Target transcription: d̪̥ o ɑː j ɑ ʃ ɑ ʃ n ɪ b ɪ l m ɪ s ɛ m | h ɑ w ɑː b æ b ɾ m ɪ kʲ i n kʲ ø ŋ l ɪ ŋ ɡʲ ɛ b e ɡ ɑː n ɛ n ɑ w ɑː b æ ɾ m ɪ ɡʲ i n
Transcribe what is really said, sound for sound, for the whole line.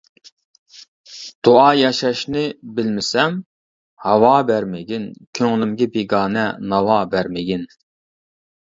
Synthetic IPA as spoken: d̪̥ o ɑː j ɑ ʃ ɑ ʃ n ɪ b ɪ l m ɪ s ɛ m | h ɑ w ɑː b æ ɾ m ɪ ɡʲ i n kʲʰ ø ŋ l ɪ m ɡʲ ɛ b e ɡ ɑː n ɛ n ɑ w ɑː b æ ɾ m ɪ ɡʲ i n

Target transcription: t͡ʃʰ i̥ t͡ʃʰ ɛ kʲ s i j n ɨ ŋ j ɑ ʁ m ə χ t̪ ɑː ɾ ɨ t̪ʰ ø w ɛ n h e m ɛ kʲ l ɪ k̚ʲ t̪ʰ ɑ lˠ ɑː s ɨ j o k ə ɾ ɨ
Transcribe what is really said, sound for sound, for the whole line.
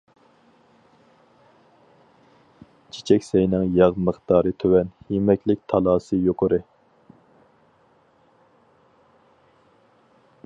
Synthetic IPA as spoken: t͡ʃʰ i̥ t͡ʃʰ ɛ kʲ s ɛ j n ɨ ŋ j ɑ ʁ m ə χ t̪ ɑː ɾ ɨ t̪ʰ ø w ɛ n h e m ɛ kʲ l ɪ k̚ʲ t̪ʰ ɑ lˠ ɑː s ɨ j o q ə ɾ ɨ

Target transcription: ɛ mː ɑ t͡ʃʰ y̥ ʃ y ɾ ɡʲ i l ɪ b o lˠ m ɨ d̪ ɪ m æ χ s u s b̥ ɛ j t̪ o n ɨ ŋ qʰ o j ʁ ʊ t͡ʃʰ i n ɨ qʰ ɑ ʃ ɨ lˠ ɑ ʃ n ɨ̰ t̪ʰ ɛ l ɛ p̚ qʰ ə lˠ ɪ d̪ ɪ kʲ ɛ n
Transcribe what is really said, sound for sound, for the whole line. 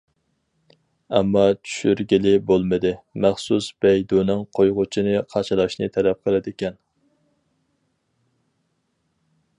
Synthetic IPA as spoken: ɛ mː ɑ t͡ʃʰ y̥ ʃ y ɾ ɡʲ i l ɪ b o lˠ m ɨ d̪ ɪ m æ χ s u s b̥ ɛ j d̪ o n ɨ ŋ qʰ o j ʁ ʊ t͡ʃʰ i n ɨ qʰ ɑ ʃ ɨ lˠ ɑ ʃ n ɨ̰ t̪ʰ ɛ l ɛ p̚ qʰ ə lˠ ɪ d̪ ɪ kʲ ɛ n

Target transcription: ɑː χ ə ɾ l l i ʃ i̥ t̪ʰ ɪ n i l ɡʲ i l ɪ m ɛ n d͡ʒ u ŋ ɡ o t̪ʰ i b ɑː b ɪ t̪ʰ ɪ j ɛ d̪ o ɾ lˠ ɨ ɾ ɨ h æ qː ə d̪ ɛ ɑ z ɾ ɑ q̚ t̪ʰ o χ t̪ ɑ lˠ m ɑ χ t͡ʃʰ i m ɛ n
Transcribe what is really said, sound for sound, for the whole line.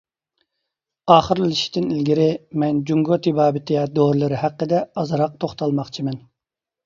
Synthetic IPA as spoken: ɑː χ ə ɾ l l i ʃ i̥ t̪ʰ ɪ n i l ɡʲ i ɾ ɪ m ɛ n d͡ʒ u ŋ ɡ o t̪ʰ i b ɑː b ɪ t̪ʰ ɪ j ɛ d̪ o ɾ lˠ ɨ ɾ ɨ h æ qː ə d̪ ɛ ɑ z ɾ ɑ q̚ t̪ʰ o χ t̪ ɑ lˠ m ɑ χ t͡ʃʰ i m ɛ n

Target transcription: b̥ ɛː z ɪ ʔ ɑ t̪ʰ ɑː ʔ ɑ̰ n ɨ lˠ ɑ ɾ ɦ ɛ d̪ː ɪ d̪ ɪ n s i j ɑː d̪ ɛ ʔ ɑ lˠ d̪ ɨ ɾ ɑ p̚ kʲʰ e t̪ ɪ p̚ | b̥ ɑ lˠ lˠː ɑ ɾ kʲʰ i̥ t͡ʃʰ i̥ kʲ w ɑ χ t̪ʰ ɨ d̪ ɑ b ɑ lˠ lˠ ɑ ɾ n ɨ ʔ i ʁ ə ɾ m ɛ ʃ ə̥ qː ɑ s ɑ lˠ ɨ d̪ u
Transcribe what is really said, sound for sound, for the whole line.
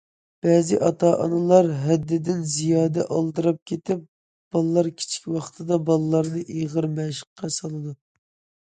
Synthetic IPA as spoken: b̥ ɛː z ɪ ʔ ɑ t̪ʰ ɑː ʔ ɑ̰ n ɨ lˠ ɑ ɾ ɦ ɛ d̪ː ɪ d̪ ɪ n z i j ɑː d̪ ɛ ʔ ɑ lˠ d̪ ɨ ɾ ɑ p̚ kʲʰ e t̪ ɪ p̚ | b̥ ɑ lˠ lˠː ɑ ɾ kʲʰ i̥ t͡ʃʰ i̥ kʲ w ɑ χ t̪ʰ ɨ d̪ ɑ b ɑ lˠ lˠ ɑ ɾ n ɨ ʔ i ʁ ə ɾ m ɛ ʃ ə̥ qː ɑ s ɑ lˠ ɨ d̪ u

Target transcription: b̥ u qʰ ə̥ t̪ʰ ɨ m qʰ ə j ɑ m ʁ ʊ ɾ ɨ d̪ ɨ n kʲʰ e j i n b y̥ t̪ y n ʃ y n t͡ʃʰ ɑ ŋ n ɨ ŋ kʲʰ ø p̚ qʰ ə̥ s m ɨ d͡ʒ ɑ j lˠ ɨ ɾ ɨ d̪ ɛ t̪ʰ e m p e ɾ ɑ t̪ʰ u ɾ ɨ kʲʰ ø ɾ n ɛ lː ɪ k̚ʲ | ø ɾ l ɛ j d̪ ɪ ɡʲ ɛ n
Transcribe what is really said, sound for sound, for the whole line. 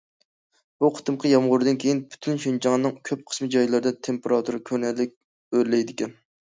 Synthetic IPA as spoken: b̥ u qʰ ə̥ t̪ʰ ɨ m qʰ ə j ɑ m ʁ ʊ ɾ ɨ d̪ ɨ n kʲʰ e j i n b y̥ t̪ʰ y n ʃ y n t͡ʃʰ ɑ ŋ n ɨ ŋ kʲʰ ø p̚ qʰ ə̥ s m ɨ d͡ʒ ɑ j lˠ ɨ ɾ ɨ d̪ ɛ t̪ʰ e m p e ɾ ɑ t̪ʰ u ɾ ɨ kʲʰ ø ɾ n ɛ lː ɪ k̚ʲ | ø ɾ l ɛ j d̪ ɪ kʲ ɛ n

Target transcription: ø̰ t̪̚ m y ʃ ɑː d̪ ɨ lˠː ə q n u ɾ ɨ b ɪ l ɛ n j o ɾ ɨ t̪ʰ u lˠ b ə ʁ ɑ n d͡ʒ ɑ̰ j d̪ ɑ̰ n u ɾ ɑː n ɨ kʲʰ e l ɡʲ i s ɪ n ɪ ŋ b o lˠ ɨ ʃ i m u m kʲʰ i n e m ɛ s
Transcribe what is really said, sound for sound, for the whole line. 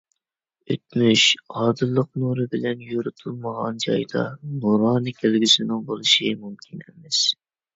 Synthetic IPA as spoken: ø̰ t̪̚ m y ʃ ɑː d̪ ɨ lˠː ə q n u ɾ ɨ b ɪ l ɛ n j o ɾ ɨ t̪ʰ u lˠ m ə ʁ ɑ n d͡ʒ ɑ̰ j d̪ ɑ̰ n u ɾ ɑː n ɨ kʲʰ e l ɡʲ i s ɪ n ɪ ŋ b o lˠ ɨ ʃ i m u m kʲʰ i n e m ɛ s

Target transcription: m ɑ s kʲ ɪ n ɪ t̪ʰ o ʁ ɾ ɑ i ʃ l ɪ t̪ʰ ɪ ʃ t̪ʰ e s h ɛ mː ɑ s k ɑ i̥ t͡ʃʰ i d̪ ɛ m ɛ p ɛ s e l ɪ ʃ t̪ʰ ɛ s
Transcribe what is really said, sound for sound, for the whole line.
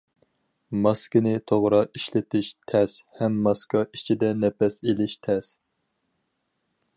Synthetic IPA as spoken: m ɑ s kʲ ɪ n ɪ t̪ʰ o ʁ ɾ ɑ i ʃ l ɪ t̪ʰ ɪ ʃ t̪ʰ ɛ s h ɛ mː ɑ s k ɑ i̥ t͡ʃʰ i d̪ ɛ n ɛ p ɛ s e l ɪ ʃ t̪ʰ ɛ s

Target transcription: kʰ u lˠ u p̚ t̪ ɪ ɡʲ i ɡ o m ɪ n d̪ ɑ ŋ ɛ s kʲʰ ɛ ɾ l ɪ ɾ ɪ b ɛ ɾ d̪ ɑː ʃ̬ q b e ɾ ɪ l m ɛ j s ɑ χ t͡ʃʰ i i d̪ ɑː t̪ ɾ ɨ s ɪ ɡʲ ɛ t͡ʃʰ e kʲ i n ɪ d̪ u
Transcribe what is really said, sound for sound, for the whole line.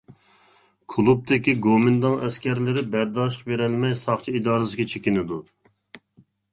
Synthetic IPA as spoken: kʰ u lˠ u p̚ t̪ ɪ kʲ i ɡ o m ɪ n d̪ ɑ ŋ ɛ s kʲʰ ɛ ɾ l ɪ ɾ ɪ b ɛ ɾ d̪ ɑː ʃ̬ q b e ɾ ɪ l m ɛ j s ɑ χ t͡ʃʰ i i d̪ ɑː ɾ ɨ s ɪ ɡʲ ɛ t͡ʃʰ e kʲ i n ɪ d̪ u

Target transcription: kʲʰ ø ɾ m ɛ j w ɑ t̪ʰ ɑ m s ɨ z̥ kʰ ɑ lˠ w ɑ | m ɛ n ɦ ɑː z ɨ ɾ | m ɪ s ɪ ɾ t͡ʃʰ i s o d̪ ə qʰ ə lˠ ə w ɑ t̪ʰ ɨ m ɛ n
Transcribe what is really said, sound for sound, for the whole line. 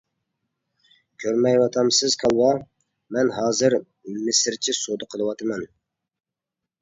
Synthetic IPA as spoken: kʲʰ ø ɾ m ɛ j w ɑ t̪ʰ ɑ m s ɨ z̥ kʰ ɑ lˠ w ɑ | m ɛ n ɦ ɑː z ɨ ɾ | m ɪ s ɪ ɾ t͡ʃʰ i s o d̪ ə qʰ ə lˠ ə w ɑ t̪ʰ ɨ m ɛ n

